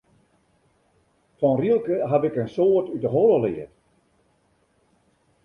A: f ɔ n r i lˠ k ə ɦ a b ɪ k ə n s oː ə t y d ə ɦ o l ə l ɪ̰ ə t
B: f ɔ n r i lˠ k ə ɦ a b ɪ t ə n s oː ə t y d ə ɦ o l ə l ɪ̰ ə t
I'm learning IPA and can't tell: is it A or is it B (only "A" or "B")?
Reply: A